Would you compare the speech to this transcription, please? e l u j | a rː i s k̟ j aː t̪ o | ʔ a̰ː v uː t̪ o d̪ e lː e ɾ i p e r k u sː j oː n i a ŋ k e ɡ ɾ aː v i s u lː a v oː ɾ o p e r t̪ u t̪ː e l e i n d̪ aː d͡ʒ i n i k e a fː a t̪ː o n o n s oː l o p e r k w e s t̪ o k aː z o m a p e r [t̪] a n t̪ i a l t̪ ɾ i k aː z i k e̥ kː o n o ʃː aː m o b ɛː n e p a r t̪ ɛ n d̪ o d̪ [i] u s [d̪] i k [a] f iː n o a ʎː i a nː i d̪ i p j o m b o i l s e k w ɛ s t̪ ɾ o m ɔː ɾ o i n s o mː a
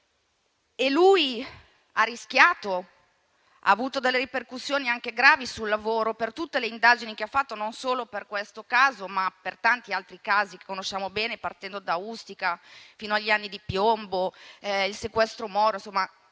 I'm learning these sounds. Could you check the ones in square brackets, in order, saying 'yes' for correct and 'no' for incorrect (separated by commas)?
yes, no, no, yes